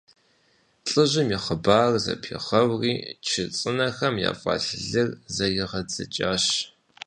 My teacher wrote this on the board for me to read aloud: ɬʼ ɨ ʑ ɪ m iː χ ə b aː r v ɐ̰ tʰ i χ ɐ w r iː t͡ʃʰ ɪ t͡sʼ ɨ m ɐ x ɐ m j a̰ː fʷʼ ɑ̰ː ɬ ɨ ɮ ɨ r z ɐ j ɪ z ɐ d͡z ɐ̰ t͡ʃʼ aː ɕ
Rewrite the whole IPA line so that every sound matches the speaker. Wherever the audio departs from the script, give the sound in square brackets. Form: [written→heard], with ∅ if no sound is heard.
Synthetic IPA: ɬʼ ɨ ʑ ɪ m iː χ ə b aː r [v→z] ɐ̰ [tʰ→pʰ] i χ ɐ w r iː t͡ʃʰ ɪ t͡sʼ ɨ [m→n] ɐ x ɐ m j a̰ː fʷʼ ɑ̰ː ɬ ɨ ɮ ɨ r z ɐ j ɪ [z→ʁ] ɐ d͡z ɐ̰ t͡ʃʼ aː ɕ

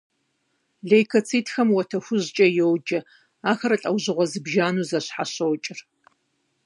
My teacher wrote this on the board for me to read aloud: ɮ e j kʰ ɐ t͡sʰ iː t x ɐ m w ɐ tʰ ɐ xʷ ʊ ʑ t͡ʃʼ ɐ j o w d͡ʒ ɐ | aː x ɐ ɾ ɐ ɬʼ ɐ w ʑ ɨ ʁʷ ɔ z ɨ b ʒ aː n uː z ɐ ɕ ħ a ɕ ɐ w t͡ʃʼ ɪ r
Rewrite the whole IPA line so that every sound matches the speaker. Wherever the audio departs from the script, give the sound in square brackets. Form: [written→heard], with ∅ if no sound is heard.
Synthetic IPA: ɮ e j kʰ ɐ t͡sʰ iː t x ɐ m w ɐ tʰ ɐ xʷ ʊ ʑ t͡ʃʼ ɐ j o w d͡ʒ ɐ | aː x ɐ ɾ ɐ ɬʼ ɐ w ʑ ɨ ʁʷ ɔ z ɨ b ʒ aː n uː z ɐ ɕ ħ a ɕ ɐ w t͡ʃʼ ɪ r

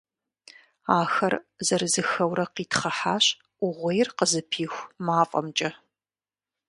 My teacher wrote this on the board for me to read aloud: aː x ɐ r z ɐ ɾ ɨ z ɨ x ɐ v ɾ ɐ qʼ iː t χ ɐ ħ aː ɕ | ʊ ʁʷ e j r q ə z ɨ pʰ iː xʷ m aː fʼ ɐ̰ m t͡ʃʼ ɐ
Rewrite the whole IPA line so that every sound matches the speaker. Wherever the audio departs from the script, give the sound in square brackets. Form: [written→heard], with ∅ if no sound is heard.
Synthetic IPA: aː x ɐ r z ɐ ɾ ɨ z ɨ x ɐ [v→w] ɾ ɐ [qʼ→q] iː t χ ɐ ħ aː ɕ | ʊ ʁʷ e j r q ə z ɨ pʰ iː xʷ m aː fʼ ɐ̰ m t͡ʃʼ ɐ

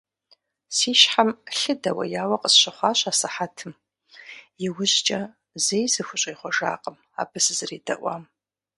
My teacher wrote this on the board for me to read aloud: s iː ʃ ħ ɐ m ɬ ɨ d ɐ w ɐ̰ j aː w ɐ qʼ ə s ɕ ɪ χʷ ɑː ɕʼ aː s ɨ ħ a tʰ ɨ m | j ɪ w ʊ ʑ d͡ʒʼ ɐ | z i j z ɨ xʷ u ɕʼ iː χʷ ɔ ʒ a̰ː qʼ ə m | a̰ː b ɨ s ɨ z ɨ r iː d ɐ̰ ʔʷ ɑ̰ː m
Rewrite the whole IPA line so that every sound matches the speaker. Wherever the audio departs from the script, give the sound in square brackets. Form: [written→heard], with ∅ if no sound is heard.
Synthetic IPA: s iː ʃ ħ [ɐ→a] m ɬ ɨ d ɐ w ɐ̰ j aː w ɐ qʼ ə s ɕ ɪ χʷ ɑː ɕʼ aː s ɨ ħ a tʰ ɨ m | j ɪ w ʊ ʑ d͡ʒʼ ɐ | z [i→e] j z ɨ xʷ [u→ʊ] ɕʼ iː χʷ ɔ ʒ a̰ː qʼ ə m | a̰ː b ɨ s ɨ z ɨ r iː d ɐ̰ ʔʷ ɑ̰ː m

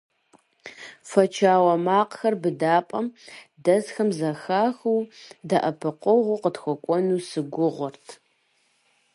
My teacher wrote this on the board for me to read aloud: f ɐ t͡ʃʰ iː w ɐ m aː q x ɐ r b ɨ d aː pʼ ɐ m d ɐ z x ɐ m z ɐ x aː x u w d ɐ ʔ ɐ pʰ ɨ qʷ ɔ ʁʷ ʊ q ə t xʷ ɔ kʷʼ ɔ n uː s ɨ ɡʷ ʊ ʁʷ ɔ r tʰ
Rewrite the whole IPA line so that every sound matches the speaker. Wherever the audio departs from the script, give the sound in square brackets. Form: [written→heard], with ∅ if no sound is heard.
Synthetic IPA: f ɐ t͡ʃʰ [iː→aː] w ɐ m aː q x ɐ r b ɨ d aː pʼ ɐ m d ɐ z x ɐ m z ɐ x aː x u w d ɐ ʔ ɐ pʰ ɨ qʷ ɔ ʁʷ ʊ q ə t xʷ ɔ kʷʼ ɔ n uː s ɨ ɡʷ ʊ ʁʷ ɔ r tʰ

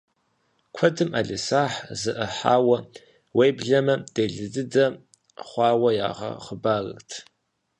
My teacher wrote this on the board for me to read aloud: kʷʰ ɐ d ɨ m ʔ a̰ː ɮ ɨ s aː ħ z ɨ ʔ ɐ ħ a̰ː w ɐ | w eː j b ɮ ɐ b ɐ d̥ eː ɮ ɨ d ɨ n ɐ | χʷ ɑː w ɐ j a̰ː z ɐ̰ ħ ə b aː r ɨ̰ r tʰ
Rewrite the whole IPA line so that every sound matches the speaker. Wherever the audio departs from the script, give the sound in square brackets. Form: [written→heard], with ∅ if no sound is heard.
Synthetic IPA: kʷʰ ɐ d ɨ m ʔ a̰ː ɮ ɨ s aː ħ z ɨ ʔ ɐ ħ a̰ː w ɐ | w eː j b ɮ ɐ [b→m] ɐ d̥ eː ɮ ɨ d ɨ [n→d] ɐ | χʷ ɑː w ɐ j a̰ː [z→ʁ] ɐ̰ [ħ→χ] ə b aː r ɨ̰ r tʰ

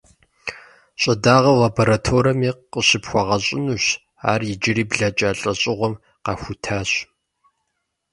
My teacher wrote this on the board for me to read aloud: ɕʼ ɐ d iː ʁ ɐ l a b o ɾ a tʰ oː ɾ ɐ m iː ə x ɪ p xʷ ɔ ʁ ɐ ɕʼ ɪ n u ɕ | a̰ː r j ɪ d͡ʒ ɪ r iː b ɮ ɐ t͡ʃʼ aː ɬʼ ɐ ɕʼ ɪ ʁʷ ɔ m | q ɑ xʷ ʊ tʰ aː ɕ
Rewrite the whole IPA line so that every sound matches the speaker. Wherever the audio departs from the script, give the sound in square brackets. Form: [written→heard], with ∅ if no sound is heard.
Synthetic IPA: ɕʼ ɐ d [iː→aː] ʁ ɐ l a b o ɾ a tʰ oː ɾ ɐ m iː ə [x→ɕ] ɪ p xʷ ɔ ʁ ɐ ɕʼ ɪ n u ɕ | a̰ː r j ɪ d͡ʒ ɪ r iː b ɮ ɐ t͡ʃʼ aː ɬʼ ɐ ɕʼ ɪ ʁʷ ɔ m | q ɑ xʷ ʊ tʰ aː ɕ

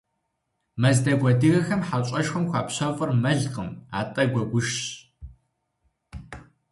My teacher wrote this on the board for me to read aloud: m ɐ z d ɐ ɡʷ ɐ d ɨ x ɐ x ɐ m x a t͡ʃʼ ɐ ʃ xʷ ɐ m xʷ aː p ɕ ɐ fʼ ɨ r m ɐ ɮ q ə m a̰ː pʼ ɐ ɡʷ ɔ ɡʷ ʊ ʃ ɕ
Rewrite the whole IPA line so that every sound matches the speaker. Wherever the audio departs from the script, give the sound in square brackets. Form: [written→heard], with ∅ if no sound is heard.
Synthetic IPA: m ɐ z d ɐ ɡʷ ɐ d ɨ [x→ɣ] ɐ x ɐ m [x→ħ] a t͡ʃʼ ɐ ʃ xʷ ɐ m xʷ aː p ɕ ɐ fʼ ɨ r m ɐ ɮ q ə m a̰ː [pʼ→tʼ] ɐ ɡʷ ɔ ɡʷ ʊ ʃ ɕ

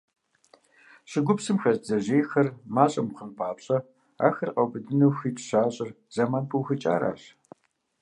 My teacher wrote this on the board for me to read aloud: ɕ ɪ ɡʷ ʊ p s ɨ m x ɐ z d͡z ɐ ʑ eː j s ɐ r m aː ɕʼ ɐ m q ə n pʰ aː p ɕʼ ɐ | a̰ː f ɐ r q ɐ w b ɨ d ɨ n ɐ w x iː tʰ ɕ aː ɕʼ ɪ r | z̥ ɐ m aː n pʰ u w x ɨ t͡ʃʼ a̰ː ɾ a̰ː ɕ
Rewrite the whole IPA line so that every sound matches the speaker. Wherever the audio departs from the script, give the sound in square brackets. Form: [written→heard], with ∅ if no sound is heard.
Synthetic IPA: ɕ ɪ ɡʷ ʊ p s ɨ m x ɐ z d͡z ɐ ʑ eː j [s→x] ɐ r m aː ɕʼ ɐ m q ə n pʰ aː p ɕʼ ɐ | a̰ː [f→x] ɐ r q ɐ w b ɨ d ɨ n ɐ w x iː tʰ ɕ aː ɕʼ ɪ r | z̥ ɐ m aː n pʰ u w x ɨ t͡ʃʼ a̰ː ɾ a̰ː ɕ

